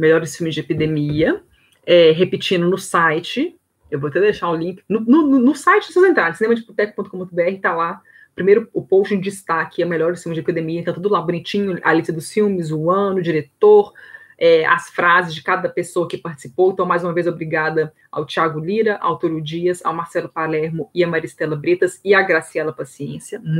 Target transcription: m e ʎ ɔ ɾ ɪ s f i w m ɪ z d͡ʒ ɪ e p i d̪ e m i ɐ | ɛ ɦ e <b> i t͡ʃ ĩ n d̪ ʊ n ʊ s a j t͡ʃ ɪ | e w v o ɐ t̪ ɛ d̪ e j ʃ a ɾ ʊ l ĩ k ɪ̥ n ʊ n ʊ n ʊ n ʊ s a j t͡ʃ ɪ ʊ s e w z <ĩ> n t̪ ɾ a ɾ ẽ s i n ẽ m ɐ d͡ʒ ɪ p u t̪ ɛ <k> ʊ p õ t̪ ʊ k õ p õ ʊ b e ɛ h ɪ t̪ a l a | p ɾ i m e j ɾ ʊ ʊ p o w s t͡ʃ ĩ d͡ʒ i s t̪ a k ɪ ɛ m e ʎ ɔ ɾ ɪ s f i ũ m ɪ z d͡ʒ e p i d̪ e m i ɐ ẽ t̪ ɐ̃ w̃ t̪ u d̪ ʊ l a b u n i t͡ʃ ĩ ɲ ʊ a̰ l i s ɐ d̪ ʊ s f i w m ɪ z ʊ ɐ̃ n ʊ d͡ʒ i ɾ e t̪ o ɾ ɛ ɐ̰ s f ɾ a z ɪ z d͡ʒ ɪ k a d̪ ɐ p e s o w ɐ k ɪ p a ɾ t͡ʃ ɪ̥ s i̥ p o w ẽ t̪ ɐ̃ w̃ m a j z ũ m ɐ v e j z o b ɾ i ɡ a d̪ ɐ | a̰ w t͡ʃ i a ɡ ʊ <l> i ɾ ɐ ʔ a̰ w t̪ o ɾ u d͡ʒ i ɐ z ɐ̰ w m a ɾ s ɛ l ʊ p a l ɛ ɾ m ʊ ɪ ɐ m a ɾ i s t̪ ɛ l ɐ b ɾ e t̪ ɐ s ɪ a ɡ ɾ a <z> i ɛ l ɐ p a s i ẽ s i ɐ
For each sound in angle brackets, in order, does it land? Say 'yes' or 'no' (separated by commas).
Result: no, no, yes, yes, no